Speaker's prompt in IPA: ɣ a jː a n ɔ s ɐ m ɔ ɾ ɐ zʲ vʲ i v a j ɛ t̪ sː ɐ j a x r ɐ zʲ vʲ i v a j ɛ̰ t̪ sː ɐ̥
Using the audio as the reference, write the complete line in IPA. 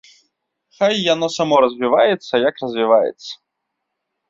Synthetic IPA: x a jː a n ɔ s a m ɔ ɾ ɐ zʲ vʲ i v a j ɛ t̪ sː ɐ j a k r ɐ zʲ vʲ i v a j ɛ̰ t̪ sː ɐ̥